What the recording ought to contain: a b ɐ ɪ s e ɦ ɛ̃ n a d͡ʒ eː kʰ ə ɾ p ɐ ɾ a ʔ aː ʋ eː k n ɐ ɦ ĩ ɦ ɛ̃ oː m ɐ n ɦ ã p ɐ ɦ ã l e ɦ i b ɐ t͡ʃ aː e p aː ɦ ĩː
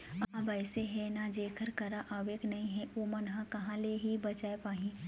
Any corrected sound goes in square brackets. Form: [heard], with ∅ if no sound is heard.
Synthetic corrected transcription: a b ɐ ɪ s e ɦ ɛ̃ n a d͡ʒ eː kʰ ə ɾ [k] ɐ ɾ a ʔ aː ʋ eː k n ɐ ɦ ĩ ɦ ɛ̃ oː m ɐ n ɦ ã [k] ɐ ɦ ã l e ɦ i b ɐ t͡ʃ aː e p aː ɦ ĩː